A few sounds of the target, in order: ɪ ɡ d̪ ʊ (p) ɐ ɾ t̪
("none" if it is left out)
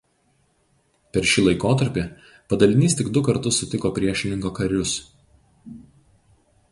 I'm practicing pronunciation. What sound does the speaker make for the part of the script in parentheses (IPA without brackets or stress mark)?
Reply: k